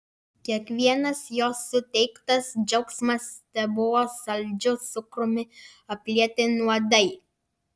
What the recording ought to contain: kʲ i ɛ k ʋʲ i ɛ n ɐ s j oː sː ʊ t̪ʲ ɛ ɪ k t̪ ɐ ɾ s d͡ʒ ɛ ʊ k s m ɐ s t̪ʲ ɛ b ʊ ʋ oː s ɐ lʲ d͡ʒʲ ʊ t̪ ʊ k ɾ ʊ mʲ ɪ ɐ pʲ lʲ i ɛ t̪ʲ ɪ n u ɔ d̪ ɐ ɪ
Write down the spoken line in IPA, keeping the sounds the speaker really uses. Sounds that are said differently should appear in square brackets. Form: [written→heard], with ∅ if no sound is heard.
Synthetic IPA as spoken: kʲ i ɛ k ʋʲ i ɛ n ɐ s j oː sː ʊ t̪ʲ ɛ ɪ k t̪ ɐ [ɾ→∅] s d͡ʒ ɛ ʊ k s m ɐ s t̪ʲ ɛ b ʊ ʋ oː s ɐ lʲ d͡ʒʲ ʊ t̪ ʊ k ɾ ʊ mʲ ɪ ɐ pʲ lʲ i ɛ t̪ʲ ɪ n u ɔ d̪ ɐ ɪ

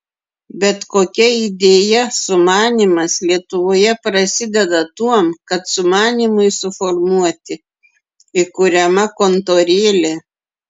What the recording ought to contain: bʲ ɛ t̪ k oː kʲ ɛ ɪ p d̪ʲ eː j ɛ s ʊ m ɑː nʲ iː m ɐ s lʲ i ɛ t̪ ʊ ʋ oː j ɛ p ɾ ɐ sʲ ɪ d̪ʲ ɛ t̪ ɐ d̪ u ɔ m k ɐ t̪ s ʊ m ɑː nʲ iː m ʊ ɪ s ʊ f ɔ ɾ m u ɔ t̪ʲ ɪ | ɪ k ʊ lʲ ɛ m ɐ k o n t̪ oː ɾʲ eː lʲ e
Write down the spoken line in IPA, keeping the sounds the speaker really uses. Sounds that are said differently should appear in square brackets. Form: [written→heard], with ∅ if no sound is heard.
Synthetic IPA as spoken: bʲ ɛ t̪ k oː kʲ ɛ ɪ [p→∅] d̪ʲ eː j ɛ s ʊ m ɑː nʲ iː m ɐ s lʲ i ɛ t̪ ʊ ʋ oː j ɛ p ɾ ɐ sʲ ɪ d̪ʲ ɛ [t̪→d̪] ɐ [d̪→t̪] u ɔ m k ɐ t̪ s ʊ m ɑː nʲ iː m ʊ ɪ s ʊ f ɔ ɾ m u ɔ t̪ʲ ɪ | ɪ k ʊ [lʲ→ɾʲ] ɛ m ɐ k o n t̪ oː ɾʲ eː lʲ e

